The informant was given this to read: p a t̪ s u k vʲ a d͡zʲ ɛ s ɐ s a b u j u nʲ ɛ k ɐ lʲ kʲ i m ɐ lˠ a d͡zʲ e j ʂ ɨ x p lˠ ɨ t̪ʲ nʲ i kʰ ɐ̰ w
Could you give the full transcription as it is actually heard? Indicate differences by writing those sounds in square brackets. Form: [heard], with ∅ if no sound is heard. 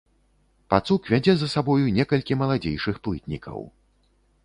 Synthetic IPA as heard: p a t̪ s u k vʲ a d͡zʲ ɛ [z] ɐ s a b [ɔ] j u nʲ ɛ k ɐ lʲ kʲ i m ɐ lˠ a d͡zʲ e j ʂ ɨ x p lˠ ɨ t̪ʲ nʲ i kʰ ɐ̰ w